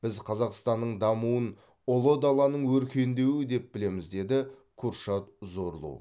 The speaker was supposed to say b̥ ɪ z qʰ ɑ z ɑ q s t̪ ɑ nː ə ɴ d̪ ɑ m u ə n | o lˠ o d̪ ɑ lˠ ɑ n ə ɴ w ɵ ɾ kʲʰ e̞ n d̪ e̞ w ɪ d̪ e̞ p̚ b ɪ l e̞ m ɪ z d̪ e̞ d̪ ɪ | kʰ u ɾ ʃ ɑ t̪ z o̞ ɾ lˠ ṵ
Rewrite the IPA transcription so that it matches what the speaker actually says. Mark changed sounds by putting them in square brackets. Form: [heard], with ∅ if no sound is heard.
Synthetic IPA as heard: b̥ ɪ z qʰ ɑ z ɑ q s t̪ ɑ nː ə ɴ d̪ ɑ m u ə n | o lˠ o d̪ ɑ lˠ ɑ n ə ɴ w ɵ ɾ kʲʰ e̞ n d̪ e̞ w ɪ d̪ e̞ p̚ b ɪ l e̞ m ɪ z d̪ e̞ d̪ ɪ | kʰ u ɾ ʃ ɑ t̪ z o̞ ɾ lˠ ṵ